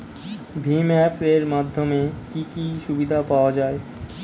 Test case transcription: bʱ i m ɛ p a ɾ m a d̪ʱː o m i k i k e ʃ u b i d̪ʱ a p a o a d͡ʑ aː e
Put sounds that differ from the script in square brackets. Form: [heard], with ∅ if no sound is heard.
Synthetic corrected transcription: bʱ i m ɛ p [e] ɾ m a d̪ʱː o m [e] k i k [i] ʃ u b i d̪ʱ a p a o a d͡ʑ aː e